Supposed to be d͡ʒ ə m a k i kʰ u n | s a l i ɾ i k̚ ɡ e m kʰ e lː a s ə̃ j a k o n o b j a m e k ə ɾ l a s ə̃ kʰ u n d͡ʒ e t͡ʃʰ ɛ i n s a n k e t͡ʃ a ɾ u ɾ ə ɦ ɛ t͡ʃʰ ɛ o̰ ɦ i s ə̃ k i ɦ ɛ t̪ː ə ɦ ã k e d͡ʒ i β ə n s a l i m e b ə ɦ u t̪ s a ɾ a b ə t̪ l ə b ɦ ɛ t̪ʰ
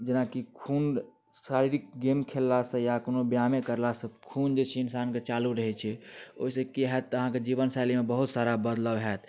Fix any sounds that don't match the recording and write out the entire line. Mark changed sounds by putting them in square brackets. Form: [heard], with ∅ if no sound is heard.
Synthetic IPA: d͡ʒ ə [n] a k i kʰ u n | s a [ɾ] i ɾ i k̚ ɡ e m kʰ e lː a s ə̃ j a k o n o b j a m e k ə ɾ l a s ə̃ kʰ u n d͡ʒ e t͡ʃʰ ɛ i n s a n k e t͡ʃ a [l] u ɾ ə ɦ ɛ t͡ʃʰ ɛ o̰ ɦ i s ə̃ k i ɦ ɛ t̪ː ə ɦ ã k e d͡ʒ i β ə n s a l i m e b ə ɦ u t̪ s a ɾ a b ə [d̪] l ə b ɦ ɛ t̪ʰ